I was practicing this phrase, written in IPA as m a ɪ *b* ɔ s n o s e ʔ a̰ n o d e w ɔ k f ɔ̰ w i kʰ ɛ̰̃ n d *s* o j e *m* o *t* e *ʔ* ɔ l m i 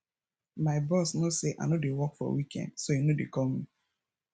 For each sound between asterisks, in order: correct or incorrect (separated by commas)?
correct, correct, incorrect, incorrect, incorrect